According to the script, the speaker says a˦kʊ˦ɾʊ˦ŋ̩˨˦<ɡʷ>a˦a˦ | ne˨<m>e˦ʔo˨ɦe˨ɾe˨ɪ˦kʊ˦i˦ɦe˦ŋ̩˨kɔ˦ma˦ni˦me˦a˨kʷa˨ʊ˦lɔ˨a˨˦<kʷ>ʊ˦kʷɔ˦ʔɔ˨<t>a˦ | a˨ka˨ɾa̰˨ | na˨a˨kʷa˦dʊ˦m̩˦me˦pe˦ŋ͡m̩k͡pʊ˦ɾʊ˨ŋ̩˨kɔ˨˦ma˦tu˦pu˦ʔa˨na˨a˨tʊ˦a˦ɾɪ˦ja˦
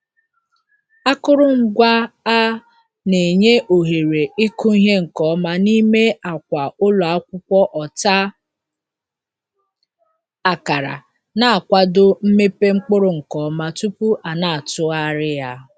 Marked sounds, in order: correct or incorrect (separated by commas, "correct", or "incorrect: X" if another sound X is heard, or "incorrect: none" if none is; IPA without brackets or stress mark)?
correct, incorrect: ɲ, correct, correct